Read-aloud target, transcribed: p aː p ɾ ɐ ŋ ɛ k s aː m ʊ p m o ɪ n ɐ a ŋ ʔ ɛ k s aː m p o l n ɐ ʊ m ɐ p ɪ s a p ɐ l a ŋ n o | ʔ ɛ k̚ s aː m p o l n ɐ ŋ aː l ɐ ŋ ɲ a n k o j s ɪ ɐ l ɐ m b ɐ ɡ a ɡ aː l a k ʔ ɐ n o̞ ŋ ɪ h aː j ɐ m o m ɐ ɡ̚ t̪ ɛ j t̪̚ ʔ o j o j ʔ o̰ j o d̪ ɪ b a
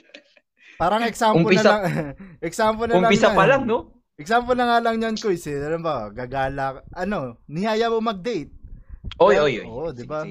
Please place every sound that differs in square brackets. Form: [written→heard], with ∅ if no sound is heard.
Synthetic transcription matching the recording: p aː [p→∅] ɾ ɐ ŋ ɛ k s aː m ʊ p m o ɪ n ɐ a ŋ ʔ ɛ k s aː m p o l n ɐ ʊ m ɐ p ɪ s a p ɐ l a ŋ n o | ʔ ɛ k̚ s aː m p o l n ɐ ŋ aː l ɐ ŋ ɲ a n k o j s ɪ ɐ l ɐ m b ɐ ɡ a ɡ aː l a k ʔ ɐ n o̞ [ŋ→n] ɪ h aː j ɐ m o m ɐ ɡ̚ [t̪→d̪] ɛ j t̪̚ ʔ o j o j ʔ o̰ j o d̪ ɪ b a